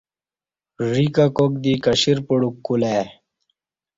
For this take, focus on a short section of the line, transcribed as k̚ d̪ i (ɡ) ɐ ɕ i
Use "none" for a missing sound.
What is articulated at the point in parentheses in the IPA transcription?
k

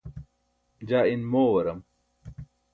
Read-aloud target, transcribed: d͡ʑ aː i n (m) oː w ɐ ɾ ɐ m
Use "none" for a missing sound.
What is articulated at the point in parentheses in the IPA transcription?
m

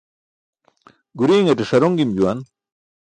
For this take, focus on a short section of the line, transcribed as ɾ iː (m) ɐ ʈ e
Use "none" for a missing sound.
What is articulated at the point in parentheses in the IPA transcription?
ŋ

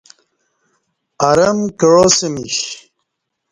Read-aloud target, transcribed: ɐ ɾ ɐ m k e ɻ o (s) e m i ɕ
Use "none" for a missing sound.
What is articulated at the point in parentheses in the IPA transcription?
s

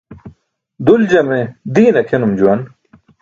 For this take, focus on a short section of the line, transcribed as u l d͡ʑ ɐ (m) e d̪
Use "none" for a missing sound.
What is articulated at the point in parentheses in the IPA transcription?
m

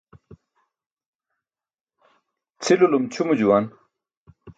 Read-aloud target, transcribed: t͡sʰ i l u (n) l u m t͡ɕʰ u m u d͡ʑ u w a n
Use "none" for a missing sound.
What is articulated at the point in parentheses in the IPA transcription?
none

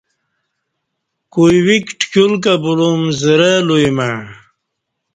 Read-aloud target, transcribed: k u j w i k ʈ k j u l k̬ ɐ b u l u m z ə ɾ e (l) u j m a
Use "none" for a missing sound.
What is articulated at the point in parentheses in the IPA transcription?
l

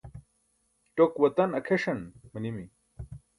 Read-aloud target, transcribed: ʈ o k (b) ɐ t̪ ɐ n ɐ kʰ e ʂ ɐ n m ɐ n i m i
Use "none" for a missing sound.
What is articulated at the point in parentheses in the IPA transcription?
w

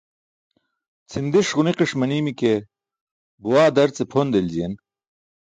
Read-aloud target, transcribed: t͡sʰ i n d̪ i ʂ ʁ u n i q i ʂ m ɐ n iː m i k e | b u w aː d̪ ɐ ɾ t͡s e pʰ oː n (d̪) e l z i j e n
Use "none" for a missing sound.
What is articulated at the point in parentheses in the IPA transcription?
d̪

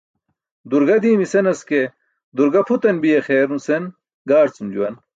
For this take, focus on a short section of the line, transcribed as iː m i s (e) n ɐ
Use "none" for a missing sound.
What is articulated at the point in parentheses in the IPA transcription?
e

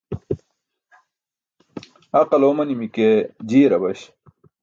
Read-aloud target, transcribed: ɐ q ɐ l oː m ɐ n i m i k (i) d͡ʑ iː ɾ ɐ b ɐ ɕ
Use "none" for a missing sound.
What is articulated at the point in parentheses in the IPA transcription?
e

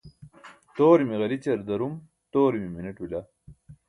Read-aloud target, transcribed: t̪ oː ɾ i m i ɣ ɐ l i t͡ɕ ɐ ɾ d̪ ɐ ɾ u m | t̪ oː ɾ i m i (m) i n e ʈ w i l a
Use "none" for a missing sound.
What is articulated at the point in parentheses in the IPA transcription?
m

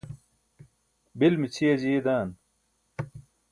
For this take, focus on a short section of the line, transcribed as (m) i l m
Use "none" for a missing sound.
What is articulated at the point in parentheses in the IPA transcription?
b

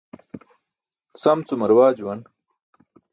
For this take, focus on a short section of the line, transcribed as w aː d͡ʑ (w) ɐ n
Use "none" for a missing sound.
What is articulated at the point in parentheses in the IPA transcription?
w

